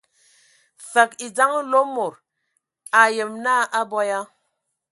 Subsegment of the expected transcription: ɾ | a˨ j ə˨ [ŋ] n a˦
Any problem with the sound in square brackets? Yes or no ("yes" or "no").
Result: yes